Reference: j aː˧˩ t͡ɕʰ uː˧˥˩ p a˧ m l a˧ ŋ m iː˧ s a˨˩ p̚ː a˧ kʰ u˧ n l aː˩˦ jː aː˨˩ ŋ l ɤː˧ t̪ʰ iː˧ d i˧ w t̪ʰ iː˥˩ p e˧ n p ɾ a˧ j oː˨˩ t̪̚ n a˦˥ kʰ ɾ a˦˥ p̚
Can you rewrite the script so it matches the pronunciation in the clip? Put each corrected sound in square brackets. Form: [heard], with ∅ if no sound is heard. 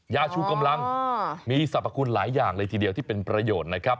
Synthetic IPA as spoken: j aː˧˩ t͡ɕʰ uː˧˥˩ [k] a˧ m l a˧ ŋ m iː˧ s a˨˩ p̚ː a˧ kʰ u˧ n l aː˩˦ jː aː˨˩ ŋ l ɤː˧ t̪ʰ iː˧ d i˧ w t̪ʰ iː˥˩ p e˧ n p ɾ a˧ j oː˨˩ t̪̚ n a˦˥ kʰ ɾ a˦˥ p̚